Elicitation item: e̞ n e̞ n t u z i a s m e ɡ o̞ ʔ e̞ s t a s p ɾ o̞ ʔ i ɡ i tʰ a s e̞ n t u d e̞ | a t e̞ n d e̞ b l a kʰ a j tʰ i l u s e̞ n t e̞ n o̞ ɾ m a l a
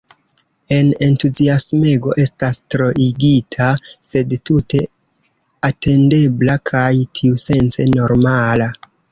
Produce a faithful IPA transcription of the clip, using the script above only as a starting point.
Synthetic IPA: e̞ n e̞ n t u z i a s m e ɡ o̞ ʔ e̞ s t a s t ɾ o̞ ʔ i ɡ i tʰ a s e̞ d t u t e̞ | a t e̞ n d e̞ b l a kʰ a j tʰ i u s e̞ n t͡s e̞ n o̞ ɾ m a l a